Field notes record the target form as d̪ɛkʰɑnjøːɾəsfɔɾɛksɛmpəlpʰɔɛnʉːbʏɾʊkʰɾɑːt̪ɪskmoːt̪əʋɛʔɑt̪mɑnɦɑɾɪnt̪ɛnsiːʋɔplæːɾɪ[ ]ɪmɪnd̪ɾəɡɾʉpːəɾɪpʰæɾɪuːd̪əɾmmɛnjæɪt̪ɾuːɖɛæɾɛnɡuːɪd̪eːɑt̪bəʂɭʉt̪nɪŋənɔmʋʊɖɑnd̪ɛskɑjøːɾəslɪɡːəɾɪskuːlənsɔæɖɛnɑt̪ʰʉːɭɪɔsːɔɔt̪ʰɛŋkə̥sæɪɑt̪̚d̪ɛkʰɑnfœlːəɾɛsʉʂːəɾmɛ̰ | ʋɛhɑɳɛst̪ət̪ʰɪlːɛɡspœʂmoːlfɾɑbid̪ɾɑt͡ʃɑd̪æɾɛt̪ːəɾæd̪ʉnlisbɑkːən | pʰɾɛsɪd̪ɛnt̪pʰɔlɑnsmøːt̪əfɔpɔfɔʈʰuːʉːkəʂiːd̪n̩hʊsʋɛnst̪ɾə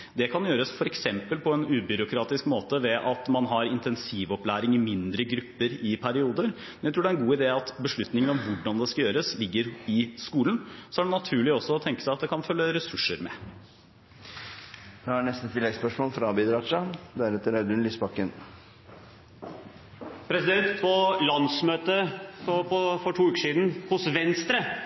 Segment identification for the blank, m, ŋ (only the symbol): ŋ